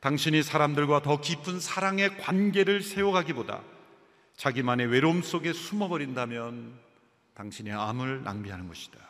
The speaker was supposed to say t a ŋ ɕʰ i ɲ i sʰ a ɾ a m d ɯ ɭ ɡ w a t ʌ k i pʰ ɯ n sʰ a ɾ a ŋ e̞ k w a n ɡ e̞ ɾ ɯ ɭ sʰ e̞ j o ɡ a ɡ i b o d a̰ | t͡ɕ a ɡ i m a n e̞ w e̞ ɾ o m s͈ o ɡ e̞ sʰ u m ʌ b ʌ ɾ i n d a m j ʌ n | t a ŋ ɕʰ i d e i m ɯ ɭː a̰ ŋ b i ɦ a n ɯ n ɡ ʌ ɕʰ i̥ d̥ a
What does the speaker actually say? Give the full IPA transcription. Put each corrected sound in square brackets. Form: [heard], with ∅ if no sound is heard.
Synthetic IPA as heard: t a ŋ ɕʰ i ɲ i sʰ a ɾ a m d ɯ ɭ ɡ w a t ʌ k i pʰ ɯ n sʰ a ɾ a ŋ e̞ k w a n ɡ e̞ ɾ ɯ ɭ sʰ e̞ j o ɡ a ɡ i b o d a̰ | t͡ɕ a ɡ i m a n e̞ w e̞ ɾ o m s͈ o ɡ e̞ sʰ u m ʌ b ʌ ɾ i n d a m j ʌ n | t a ŋ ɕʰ i [n] e [a] m ɯ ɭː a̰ ŋ b i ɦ a n ɯ n ɡ ʌ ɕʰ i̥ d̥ a